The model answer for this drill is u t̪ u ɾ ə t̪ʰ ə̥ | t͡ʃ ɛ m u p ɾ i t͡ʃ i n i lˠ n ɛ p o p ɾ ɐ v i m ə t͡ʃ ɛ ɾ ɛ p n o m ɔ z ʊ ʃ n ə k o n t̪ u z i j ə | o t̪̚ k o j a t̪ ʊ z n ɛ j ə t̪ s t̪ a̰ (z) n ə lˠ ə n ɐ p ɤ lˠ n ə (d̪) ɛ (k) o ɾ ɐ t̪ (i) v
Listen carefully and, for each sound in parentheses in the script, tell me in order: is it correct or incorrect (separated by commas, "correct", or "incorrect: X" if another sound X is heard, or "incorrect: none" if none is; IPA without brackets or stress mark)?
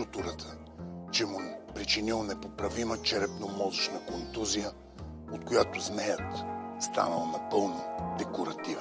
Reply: incorrect: none, correct, correct, correct